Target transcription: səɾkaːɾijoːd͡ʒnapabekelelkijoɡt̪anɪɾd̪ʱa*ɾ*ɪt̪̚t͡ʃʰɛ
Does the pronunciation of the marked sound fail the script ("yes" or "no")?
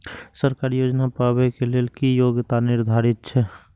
no